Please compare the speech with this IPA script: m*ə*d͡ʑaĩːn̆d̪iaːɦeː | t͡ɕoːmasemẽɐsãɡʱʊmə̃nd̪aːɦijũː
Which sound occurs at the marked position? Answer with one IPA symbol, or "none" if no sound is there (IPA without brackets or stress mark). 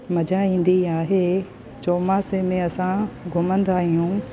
ɐ